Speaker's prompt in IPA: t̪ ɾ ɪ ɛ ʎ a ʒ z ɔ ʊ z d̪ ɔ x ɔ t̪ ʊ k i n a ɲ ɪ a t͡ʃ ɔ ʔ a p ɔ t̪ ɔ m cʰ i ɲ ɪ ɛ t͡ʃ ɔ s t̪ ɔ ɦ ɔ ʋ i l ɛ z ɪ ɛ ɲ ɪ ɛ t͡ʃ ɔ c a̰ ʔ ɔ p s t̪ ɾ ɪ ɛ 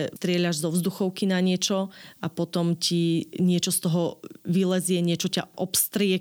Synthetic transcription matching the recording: t̪ ɾ ɪ ɛ ʎ a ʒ z ɔ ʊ z d̪ u x ɔ ʊ k i n a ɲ ɪ ɛ t͡ʃ ɔ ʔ a p ɔ t̪ ɔ m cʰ i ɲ ɪ ɛ t͡ʃ ɔ s t̪ ɔ ɦ ɔ ʋ i l ɛ z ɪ ɛ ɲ ɪ ɛ t͡ʃ ɔ c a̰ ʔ ɔ p s t̪ ɾ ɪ ɛ